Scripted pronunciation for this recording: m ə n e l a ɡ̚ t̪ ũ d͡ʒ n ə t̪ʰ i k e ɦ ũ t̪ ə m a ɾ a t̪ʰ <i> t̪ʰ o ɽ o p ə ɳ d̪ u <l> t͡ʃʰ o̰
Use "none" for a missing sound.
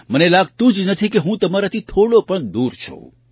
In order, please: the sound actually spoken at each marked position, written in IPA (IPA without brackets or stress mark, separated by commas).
i, ɾ